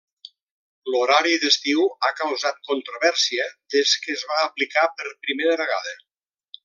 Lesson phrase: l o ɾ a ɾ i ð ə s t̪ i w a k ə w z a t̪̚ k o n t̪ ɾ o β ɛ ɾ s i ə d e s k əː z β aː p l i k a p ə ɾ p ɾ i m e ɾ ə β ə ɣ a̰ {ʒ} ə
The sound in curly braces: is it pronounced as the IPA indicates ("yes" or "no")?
no